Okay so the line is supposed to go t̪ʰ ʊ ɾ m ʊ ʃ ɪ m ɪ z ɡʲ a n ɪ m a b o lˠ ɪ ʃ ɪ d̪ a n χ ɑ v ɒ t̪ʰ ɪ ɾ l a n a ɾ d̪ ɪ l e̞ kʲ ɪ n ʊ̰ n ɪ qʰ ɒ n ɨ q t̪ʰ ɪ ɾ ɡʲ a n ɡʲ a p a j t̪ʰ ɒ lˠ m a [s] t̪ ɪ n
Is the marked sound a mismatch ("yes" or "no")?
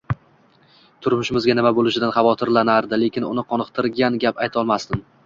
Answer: no